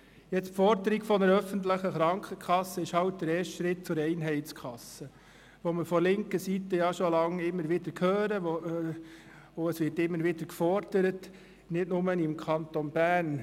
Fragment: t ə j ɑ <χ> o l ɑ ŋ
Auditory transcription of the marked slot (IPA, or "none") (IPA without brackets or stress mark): ʃ